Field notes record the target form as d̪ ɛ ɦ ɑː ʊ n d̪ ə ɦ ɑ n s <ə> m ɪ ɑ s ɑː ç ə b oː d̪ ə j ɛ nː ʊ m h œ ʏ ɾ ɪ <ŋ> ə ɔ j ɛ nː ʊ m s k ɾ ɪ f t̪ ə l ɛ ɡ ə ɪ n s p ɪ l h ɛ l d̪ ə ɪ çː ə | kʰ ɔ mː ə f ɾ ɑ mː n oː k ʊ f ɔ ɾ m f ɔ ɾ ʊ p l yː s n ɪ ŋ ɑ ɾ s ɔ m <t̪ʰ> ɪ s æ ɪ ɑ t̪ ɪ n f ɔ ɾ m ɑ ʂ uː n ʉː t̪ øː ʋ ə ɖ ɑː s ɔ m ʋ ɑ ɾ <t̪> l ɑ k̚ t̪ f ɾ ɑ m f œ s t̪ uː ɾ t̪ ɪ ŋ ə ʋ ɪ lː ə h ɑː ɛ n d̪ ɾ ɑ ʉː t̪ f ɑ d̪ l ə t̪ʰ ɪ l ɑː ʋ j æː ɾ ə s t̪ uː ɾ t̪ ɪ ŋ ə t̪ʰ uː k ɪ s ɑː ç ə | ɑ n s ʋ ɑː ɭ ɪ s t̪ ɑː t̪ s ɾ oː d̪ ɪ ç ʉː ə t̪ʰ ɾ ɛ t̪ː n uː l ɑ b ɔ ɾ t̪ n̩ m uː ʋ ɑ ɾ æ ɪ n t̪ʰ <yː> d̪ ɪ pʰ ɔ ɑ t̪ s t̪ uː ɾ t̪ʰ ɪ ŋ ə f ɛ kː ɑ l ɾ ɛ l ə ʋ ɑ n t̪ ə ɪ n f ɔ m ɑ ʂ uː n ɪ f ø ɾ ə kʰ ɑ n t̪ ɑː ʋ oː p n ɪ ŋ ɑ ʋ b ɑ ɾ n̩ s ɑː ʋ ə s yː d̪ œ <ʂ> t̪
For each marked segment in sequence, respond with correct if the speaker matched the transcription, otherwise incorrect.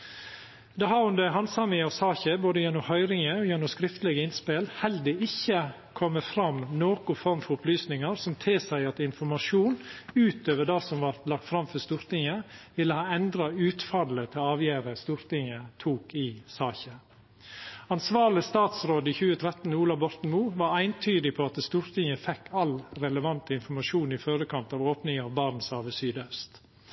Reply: incorrect, correct, correct, correct, correct, incorrect

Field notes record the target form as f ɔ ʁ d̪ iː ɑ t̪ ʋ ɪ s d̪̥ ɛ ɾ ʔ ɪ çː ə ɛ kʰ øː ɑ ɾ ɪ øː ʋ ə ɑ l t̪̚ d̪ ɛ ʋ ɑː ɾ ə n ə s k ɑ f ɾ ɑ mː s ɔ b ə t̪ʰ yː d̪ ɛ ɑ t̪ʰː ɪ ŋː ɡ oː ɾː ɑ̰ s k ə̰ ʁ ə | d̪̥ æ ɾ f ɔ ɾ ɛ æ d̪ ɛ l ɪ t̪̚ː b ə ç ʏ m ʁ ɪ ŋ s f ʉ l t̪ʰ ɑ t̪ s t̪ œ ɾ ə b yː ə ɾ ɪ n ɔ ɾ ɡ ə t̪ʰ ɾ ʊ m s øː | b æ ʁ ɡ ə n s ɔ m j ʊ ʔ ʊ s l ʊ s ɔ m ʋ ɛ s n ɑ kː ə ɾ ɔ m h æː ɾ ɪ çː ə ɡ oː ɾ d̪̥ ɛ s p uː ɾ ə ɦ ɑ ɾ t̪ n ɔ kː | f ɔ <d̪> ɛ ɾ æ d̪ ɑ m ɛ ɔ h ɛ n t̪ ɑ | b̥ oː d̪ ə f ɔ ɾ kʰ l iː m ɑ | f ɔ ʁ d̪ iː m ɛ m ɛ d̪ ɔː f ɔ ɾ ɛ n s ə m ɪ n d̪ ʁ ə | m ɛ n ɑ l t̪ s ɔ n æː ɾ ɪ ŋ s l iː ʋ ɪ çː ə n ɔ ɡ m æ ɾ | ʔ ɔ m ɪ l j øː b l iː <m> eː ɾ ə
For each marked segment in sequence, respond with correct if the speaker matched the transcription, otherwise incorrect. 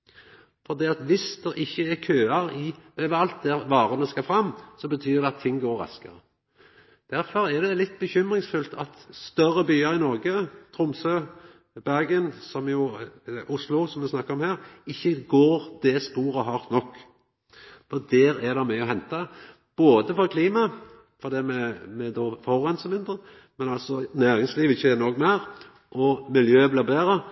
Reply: correct, incorrect

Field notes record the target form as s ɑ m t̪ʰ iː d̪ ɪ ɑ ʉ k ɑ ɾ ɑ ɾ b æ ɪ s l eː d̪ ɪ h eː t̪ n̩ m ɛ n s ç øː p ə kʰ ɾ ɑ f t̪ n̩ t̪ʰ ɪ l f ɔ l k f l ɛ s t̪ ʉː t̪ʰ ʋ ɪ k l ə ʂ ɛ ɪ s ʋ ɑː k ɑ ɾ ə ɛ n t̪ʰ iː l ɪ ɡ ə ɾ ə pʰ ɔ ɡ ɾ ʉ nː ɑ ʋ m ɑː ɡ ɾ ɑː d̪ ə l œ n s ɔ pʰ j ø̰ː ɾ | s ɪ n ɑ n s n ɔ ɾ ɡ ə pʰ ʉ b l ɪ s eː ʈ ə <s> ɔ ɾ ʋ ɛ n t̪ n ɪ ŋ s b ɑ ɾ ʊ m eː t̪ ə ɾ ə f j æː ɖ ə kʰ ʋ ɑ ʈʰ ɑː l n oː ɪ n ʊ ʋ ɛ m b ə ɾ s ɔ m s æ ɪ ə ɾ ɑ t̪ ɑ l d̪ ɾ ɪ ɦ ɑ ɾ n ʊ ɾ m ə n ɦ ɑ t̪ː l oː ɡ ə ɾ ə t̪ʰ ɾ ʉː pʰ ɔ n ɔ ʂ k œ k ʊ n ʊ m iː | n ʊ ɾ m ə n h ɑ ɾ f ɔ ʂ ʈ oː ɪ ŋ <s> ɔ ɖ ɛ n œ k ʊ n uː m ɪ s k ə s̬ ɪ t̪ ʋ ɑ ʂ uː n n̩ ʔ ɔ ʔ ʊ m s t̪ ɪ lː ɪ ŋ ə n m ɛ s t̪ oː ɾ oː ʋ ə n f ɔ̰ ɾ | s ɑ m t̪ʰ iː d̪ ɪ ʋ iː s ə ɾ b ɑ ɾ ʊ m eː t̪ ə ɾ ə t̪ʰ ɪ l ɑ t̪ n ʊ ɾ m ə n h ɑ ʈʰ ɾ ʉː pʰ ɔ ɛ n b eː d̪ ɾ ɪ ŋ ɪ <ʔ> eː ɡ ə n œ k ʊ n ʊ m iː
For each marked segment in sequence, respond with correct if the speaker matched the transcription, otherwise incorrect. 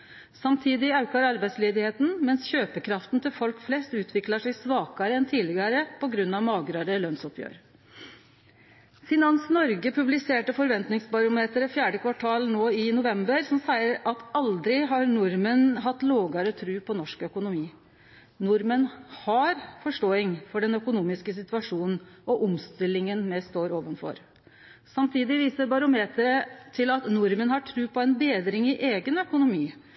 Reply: incorrect, incorrect, correct

